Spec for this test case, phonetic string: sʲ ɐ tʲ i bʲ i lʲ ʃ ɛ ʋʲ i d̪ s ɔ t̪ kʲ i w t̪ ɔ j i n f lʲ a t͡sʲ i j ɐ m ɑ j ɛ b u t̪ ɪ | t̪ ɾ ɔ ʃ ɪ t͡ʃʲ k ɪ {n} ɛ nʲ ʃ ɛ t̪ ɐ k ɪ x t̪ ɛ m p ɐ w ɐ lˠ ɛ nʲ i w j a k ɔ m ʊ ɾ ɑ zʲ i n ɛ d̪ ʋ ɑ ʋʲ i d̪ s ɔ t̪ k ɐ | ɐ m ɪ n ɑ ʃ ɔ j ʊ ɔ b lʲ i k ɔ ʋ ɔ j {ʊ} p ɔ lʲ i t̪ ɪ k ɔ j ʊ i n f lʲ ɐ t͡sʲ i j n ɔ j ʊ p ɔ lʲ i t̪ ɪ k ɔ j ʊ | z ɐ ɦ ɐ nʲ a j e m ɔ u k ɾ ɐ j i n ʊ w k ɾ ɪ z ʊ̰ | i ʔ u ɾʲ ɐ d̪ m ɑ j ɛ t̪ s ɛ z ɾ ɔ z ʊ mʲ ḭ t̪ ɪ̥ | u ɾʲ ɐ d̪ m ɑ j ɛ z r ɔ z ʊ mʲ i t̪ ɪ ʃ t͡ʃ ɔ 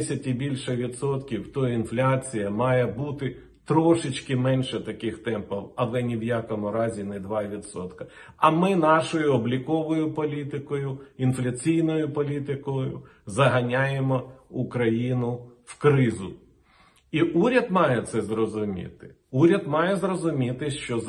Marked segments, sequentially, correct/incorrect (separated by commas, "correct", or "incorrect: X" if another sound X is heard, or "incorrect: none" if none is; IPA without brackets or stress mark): incorrect: m, correct